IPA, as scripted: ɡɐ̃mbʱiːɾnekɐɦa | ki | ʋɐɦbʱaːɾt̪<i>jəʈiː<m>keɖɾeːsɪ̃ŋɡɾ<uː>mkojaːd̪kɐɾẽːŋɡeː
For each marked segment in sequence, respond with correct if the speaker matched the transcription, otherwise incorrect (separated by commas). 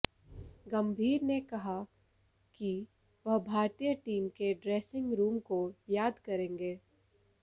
correct, correct, correct